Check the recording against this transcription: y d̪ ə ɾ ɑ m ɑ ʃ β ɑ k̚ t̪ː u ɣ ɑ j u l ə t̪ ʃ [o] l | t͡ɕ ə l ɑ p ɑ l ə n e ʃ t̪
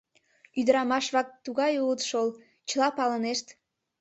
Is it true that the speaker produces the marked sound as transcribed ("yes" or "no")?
yes